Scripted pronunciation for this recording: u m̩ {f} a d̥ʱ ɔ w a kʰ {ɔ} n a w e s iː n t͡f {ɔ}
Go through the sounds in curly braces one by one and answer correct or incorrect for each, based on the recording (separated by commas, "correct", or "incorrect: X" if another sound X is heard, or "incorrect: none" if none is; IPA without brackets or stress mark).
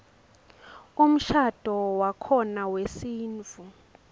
incorrect: ʃ, correct, incorrect: u